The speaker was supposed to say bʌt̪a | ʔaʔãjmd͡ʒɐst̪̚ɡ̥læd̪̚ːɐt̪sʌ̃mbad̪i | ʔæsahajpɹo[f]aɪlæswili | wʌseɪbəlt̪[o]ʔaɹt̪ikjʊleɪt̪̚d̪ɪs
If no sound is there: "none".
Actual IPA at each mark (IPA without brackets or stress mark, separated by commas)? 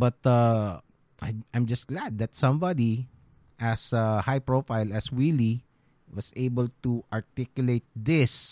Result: f, u